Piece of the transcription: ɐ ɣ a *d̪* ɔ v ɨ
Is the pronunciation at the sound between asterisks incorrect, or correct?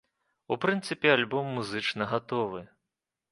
incorrect: t̪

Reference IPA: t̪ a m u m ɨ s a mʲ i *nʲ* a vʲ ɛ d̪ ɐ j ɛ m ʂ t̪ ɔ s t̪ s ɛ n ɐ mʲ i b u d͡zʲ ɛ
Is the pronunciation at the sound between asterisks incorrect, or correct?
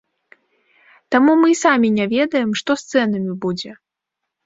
correct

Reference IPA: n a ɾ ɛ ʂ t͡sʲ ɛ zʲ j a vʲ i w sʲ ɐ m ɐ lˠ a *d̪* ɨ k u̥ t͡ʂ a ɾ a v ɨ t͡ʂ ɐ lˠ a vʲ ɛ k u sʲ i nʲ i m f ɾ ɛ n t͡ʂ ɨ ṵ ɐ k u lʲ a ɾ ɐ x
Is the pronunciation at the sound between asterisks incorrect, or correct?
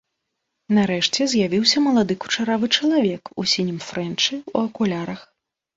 correct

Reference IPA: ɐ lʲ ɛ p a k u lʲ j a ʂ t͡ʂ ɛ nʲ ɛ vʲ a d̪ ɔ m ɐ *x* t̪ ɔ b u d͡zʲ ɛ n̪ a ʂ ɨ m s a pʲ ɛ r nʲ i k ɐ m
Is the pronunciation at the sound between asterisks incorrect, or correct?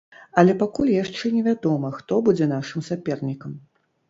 correct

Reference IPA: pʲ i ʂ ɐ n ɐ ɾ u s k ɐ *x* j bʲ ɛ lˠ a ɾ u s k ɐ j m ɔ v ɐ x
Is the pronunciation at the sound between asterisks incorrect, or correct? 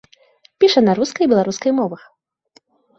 incorrect: none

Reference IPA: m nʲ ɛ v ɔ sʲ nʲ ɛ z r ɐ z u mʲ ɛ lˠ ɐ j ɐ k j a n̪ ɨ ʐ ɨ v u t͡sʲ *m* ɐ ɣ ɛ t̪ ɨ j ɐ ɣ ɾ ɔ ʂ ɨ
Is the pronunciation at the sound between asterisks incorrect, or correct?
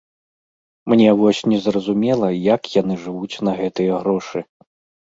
incorrect: n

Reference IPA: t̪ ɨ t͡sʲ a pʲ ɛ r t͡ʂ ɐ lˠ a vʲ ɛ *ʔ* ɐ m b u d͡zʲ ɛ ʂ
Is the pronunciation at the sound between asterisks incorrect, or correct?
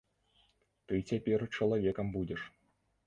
incorrect: k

